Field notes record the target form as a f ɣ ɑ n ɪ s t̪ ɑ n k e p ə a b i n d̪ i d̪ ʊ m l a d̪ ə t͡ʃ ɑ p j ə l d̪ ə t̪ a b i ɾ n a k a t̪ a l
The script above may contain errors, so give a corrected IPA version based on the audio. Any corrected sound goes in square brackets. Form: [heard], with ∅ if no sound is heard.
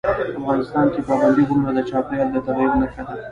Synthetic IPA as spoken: a f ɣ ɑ n ɪ s t̪ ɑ n k e p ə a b [a] n d̪ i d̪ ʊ m [ɾ] a d̪ ə t͡ʃ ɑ p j [ɑ] l d̪ ə t̪ a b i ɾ n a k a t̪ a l